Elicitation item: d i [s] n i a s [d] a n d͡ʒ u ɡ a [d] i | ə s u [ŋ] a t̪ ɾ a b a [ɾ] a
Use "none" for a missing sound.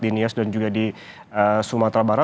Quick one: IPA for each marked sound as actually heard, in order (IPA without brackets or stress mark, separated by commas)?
none, d, d, m, ɾ